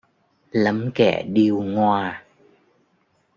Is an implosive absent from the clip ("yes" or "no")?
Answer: no